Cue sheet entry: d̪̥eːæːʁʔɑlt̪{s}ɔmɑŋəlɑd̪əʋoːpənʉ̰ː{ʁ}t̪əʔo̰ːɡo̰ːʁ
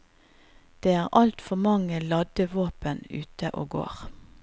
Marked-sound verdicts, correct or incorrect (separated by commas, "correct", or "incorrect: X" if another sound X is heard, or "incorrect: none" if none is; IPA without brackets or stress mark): incorrect: f, incorrect: none